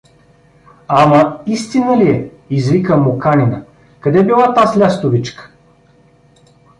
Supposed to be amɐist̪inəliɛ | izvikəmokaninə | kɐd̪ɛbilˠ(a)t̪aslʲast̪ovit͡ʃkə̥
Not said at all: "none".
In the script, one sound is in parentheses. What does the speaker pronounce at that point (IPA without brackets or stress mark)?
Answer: a